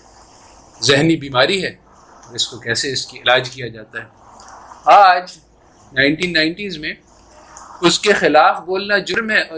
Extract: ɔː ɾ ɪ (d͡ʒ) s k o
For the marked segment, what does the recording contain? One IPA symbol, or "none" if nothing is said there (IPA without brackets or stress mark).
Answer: none